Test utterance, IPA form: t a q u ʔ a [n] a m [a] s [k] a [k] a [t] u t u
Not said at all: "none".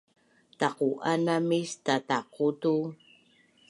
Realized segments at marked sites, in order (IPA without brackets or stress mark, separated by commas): n, i, t, t, q